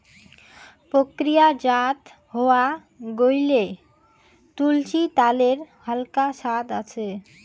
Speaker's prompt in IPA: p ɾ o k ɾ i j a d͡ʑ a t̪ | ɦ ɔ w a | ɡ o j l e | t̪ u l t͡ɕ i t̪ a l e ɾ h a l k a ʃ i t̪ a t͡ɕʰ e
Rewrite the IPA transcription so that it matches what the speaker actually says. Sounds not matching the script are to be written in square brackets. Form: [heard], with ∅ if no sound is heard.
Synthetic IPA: p ɾ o k ɾ i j a d͡ʑ a t̪ | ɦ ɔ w a | ɡ o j l e | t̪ u l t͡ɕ i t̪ a l e ɾ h a l k a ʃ [a] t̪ a t͡ɕʰ e